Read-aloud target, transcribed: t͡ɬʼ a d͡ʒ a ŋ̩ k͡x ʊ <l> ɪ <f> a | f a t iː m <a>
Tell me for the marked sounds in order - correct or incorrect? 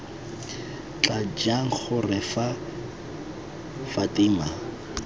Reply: incorrect: r, correct, correct

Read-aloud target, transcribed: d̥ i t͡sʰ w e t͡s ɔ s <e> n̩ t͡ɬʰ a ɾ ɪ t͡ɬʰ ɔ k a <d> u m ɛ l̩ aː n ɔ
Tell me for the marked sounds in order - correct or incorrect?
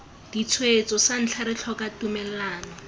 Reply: incorrect: a, incorrect: t

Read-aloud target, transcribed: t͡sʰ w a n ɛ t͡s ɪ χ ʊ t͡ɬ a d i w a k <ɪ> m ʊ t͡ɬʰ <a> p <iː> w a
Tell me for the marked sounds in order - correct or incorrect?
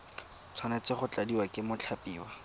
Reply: correct, correct, correct

